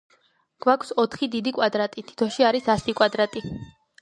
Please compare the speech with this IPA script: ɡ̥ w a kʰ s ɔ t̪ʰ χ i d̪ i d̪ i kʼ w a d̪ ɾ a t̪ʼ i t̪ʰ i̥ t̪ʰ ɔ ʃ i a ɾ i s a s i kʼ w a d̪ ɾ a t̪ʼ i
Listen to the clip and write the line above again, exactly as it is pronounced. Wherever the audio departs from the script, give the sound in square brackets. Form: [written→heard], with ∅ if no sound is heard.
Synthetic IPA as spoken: ɡ̥ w a kʰ s ɔ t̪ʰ χ i d̪ i d̪ i kʼ w a d̪ ɾ a t̪ʼ i t̪ʰ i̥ t̪ʰ ɔ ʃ i a ɾ i s a s i kʼ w a d̪ ɾ a t̪ʼ i

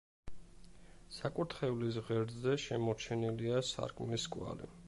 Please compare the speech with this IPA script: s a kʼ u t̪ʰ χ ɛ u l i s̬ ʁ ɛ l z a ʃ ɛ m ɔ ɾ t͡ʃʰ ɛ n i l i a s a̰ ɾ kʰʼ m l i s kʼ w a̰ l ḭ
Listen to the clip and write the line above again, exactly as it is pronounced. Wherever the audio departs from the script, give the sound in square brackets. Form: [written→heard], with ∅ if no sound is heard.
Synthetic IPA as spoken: s a kʼ u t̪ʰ χ ɛ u l i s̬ ʁ ɛ [l→ɾ] z [a→ɛ] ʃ ɛ m ɔ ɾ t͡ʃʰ ɛ n i l i a s a̰ ɾ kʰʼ m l i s kʼ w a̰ l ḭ

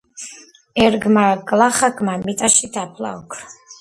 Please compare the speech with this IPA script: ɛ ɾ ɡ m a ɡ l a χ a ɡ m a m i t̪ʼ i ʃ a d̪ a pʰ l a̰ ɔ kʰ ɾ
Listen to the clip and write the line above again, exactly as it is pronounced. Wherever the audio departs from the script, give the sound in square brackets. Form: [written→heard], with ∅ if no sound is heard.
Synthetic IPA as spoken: ɛ ɾ ɡ m a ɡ l a χ a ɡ m a m i t̪ʼ [i→a] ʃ [a→i] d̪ a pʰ l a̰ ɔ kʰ ɾ

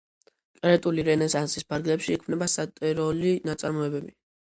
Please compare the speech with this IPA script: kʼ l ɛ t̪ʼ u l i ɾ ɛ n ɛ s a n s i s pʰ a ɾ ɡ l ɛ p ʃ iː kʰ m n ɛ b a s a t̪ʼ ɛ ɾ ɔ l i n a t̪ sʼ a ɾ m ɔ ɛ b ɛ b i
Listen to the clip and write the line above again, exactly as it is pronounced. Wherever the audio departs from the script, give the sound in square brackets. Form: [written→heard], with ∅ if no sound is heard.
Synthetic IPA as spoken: kʼ [l→ɾ] ɛ t̪ʼ u l i ɾ ɛ n ɛ s a n s i s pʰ a ɾ ɡ l ɛ p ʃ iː kʰ m n ɛ b a s a t̪ʼ ɛ ɾ ɔ l i n a t̪ sʼ a ɾ m ɔ ɛ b ɛ b i

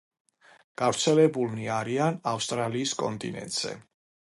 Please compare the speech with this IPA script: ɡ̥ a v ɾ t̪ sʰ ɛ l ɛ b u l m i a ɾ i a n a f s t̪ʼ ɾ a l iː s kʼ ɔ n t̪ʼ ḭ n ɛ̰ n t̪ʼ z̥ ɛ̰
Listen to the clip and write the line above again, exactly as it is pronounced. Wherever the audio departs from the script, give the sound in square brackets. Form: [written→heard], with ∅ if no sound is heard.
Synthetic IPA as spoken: ɡ̥ a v ɾ t̪ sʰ ɛ l ɛ b u l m i a ɾ i a n a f s t̪ʼ ɾ a l iː s kʼ ɔ n t̪ʼ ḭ n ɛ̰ n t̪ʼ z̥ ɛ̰

